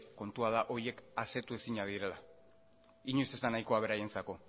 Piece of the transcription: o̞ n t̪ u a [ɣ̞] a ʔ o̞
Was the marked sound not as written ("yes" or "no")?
yes